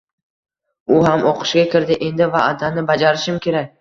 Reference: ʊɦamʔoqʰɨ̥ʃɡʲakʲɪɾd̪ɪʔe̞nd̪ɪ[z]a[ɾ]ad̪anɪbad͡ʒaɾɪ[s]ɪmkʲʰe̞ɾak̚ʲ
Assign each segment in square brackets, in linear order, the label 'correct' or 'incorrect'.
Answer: incorrect: v, incorrect: none, incorrect: ʃ

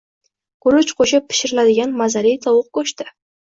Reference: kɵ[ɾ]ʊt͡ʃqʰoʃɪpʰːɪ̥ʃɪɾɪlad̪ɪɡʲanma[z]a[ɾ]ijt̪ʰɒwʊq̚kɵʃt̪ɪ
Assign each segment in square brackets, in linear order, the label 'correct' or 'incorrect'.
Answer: correct, correct, correct

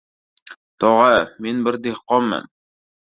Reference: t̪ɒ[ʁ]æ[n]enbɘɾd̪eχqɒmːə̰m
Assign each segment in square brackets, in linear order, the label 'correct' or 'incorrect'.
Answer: correct, incorrect: m

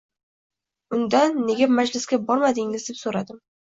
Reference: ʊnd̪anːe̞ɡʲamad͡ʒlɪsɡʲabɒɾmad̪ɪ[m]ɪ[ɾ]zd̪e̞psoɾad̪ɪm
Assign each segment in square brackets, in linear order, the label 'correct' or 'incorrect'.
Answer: incorrect: ŋ, incorrect: none

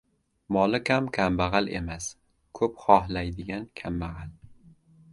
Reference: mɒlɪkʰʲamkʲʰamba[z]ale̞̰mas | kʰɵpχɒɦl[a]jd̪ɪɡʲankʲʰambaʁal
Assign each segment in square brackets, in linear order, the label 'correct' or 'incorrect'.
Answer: incorrect: ʁ, correct

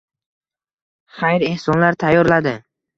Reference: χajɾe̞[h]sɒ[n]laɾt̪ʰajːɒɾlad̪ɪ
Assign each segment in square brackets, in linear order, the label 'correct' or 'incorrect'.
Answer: correct, correct

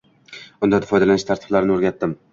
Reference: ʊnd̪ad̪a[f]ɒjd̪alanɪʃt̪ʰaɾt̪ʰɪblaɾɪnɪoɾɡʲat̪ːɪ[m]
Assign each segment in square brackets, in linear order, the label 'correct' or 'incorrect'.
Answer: correct, correct

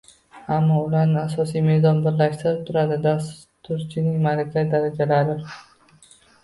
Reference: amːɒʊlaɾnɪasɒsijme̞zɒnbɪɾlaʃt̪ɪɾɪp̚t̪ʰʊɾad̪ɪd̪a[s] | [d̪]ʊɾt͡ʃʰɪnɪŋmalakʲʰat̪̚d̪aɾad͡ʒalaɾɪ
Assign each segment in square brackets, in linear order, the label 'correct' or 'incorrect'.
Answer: correct, incorrect: t̪

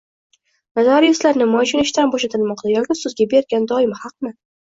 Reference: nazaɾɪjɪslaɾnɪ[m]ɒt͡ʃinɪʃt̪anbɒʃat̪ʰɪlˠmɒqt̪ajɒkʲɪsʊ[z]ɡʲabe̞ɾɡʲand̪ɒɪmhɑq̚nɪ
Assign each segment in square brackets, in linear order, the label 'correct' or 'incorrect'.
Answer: correct, correct

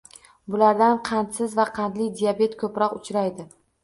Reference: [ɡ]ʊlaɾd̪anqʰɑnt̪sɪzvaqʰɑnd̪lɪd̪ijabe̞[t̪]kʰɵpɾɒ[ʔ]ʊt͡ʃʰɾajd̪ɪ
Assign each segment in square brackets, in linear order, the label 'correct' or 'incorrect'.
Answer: incorrect: b, correct, incorrect: q

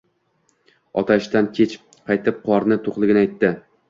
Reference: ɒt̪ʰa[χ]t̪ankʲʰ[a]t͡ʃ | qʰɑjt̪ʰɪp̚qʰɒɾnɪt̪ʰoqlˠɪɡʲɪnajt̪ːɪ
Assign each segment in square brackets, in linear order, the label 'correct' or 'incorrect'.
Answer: incorrect: ʃ, incorrect: e

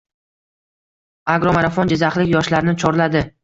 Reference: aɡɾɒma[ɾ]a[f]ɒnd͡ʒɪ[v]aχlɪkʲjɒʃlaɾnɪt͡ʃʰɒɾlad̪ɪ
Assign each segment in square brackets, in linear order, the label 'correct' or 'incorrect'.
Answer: correct, correct, incorrect: z

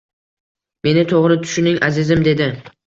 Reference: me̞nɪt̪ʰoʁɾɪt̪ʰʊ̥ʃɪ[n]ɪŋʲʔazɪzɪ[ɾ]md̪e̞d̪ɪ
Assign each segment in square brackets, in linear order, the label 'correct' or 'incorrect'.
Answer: correct, incorrect: none

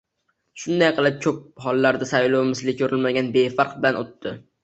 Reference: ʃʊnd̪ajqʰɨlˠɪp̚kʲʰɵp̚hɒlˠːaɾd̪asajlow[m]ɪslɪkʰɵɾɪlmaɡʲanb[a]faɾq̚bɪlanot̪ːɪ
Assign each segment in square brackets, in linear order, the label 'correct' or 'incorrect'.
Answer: correct, incorrect: e

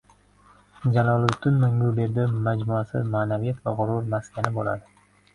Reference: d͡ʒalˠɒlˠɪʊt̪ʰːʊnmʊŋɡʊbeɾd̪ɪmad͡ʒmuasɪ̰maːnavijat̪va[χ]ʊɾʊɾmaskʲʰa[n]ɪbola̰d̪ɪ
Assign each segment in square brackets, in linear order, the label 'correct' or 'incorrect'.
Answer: incorrect: ʁ, correct

